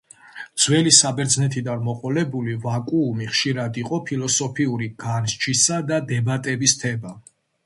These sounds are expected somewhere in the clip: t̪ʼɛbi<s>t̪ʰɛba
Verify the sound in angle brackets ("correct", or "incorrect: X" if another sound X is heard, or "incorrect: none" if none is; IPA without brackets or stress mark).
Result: correct